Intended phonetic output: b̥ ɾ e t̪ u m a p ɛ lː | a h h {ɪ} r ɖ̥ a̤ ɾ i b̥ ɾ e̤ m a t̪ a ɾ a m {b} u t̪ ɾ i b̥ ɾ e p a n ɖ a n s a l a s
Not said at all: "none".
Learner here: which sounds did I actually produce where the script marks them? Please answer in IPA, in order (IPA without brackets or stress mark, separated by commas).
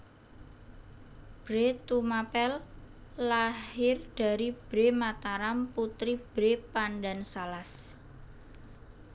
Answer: ɪ, p